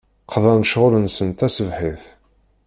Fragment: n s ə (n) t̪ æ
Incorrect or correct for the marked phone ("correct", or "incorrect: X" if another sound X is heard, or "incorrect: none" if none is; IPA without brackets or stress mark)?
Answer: correct